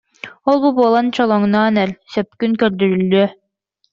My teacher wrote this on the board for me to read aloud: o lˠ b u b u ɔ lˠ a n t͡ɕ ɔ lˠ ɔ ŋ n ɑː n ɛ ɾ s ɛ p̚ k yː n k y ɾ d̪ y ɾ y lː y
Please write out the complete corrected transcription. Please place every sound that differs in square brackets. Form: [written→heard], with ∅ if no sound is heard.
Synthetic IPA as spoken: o lˠ b u b u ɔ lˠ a n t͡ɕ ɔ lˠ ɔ ŋ n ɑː n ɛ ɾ s [ɛ→œ] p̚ k [yː→y] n k [y→œ] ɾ d̪ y ɾ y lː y